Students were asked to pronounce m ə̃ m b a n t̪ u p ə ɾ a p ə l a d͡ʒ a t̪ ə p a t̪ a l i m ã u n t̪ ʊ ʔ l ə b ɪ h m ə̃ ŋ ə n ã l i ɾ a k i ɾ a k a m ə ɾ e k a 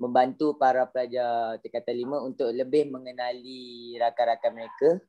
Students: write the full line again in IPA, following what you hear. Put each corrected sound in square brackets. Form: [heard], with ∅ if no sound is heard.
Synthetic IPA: m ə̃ m b a n t̪ u p [a] ɾ a p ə l a d͡ʒ a t̪ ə [k] a t̪ a l i m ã u n t̪ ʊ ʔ l ə b ɪ h m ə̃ ŋ ə n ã l i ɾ a k [a] ɾ a k a m ə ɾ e k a